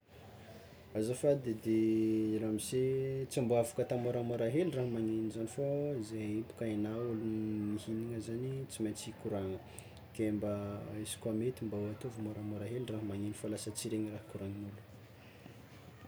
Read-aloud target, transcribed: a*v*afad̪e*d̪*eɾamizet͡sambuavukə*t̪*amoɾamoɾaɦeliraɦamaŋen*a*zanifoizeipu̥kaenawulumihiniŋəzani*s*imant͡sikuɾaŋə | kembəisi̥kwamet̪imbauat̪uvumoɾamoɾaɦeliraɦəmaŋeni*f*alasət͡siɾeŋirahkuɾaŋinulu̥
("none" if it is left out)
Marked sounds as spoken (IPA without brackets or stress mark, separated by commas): z, d̪, t̪, i, t͡s, f